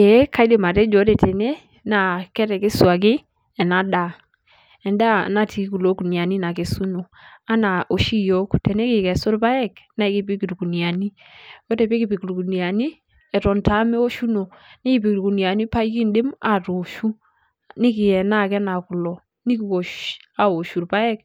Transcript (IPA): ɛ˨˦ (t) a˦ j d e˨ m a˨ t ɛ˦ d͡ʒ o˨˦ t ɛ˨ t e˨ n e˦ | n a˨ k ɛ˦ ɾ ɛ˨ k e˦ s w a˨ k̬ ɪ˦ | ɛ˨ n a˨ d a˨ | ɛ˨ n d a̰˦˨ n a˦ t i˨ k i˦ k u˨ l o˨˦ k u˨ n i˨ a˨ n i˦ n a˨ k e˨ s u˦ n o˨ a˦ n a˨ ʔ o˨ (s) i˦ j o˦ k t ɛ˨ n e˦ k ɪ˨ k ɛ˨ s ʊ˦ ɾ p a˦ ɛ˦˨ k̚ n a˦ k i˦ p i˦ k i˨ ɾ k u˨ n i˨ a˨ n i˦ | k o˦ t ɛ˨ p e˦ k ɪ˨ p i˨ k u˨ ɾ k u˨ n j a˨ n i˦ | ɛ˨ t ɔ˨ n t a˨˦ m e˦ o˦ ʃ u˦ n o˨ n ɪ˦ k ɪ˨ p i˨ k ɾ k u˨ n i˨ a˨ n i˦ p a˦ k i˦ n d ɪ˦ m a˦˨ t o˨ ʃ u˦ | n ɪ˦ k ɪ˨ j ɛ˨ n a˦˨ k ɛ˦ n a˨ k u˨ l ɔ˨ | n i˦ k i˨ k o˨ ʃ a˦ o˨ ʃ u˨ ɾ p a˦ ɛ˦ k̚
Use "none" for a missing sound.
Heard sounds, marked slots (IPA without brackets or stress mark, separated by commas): k, ʃ